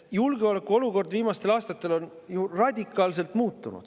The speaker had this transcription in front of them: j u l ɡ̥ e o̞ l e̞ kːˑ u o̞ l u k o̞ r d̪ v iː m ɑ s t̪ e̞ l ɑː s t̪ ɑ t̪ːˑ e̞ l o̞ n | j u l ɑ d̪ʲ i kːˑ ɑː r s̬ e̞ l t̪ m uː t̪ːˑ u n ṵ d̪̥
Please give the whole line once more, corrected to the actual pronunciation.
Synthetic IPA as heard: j u l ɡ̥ e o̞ l e̞ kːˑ u o̞ l u k o̞ r d̪ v iː m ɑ s t̪ e̞ l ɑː s t̪ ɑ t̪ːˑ e̞ l o̞ n | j u r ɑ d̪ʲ i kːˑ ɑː l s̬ e̞ l t̪ m uː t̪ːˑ u n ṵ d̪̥